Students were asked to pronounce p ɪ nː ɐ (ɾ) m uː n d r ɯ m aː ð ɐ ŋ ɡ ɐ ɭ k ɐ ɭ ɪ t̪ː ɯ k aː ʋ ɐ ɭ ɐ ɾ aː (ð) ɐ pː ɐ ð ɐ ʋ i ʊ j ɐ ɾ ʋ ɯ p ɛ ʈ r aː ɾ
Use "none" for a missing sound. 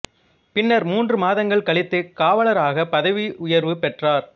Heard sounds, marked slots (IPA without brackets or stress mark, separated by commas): ɾ, ɣ